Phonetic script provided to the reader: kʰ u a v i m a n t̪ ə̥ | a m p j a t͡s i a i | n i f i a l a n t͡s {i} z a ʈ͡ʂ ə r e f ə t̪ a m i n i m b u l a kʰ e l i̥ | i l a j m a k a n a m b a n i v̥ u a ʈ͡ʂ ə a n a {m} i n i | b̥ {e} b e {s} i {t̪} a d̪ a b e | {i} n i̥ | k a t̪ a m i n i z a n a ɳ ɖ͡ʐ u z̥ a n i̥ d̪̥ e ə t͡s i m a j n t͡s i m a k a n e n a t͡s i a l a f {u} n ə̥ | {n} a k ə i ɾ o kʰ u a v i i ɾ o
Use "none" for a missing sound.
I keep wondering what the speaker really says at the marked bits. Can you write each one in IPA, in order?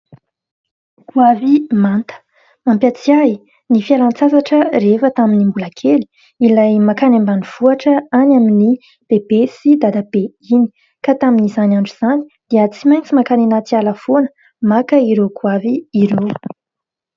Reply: a, m, e, s, d̪, i, o, m

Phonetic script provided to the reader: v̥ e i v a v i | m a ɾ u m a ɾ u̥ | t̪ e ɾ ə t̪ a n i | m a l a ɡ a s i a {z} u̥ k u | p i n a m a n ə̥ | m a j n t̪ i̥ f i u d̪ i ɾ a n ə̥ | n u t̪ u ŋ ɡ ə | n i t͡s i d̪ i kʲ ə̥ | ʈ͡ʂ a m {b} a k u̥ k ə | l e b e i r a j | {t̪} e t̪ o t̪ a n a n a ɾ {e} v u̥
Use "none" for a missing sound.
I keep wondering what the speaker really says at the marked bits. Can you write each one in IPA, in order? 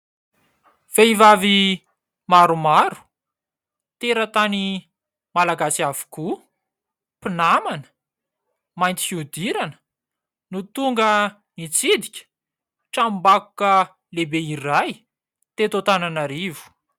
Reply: v, b, t̪, i

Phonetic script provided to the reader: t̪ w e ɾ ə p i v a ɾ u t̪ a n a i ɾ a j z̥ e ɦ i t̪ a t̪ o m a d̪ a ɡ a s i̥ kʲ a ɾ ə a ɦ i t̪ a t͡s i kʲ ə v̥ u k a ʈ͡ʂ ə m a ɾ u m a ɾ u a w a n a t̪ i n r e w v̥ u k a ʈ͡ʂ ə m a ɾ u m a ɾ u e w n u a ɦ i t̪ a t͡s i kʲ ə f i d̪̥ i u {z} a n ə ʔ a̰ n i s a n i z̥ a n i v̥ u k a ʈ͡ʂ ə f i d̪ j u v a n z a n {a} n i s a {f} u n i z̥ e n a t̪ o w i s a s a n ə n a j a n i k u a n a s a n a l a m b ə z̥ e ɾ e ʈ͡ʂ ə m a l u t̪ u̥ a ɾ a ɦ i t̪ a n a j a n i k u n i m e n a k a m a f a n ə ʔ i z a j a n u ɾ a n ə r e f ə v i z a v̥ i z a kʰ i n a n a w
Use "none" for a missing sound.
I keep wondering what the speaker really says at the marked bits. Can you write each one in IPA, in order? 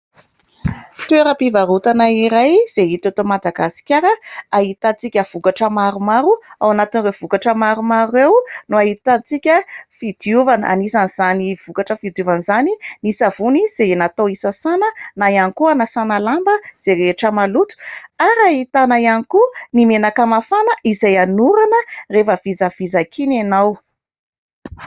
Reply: v, i, v

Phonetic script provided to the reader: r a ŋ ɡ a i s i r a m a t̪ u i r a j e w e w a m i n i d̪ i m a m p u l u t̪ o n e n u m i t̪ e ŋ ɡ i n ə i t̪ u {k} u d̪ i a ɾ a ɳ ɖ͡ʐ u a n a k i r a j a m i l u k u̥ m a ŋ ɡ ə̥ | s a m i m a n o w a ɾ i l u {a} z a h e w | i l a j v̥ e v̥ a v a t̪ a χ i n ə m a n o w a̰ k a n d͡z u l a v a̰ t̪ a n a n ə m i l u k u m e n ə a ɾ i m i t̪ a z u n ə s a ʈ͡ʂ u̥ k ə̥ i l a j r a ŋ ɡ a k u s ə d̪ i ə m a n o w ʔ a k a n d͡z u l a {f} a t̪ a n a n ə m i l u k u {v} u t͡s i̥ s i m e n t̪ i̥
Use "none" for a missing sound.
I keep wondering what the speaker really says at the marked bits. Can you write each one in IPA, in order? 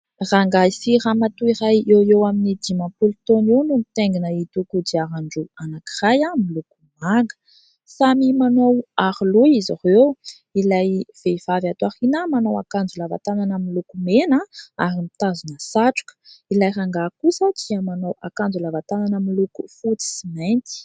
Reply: k, i, v, f

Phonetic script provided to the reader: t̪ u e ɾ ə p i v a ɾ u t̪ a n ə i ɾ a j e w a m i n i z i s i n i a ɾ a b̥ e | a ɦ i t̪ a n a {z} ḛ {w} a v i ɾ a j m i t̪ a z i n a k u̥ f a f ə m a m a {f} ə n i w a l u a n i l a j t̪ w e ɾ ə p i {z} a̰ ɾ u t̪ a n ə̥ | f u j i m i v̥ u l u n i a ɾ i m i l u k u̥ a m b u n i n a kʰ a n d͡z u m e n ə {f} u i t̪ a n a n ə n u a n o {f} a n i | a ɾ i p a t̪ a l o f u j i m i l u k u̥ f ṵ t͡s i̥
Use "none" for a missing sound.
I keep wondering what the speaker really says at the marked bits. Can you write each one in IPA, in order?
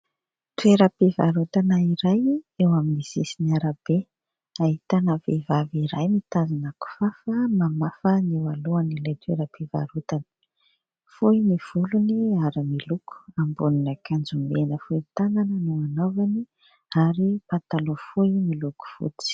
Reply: v, v, f, v, f, v

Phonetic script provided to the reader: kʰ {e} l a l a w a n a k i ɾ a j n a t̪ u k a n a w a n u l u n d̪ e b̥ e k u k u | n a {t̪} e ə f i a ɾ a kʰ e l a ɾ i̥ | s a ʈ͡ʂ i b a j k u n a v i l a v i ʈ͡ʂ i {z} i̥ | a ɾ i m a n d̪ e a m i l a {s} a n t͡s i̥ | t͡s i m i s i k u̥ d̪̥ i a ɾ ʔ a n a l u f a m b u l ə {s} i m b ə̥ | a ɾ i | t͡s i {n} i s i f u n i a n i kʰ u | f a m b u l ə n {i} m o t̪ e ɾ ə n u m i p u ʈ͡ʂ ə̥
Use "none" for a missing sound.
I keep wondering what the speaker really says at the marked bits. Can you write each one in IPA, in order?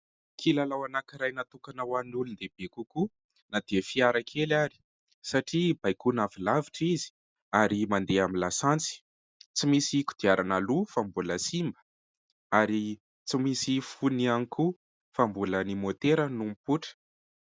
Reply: i, d̪, z, s, s, m, i

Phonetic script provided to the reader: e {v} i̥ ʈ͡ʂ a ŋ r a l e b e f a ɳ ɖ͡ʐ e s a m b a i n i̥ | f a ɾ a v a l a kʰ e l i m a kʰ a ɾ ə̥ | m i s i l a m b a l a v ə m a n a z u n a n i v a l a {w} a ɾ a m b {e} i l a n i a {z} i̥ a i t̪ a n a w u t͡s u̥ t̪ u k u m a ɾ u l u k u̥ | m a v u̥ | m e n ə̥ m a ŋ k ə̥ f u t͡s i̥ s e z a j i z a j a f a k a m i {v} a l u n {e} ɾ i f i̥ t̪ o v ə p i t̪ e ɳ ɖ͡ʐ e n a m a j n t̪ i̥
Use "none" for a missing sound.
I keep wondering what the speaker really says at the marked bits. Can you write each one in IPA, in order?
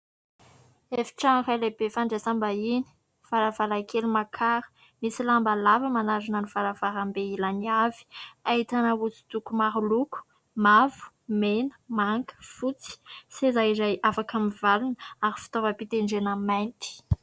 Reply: f, v, e, v, v, a

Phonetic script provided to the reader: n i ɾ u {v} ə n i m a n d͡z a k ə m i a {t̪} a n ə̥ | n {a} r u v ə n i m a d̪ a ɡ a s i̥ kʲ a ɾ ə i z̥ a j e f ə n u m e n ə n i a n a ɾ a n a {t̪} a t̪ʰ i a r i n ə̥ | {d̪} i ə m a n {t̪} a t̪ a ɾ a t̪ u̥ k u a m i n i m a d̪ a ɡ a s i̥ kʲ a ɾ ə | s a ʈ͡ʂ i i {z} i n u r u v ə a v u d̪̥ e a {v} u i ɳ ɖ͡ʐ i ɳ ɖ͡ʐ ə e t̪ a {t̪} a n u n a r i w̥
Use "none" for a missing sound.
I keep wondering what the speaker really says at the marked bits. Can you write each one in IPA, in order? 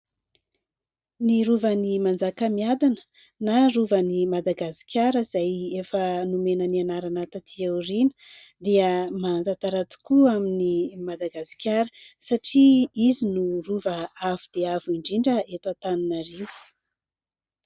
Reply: v, d̪, a, t̪, d̪, t̪, z, v, t̪

